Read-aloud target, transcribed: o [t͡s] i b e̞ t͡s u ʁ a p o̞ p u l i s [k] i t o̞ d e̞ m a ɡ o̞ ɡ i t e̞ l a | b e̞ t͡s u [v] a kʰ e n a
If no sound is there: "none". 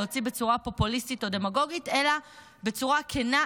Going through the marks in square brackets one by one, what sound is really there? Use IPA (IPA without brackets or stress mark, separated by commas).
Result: t͡s, t, ʁ